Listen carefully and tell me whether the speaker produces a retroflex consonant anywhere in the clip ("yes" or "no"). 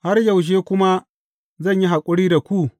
yes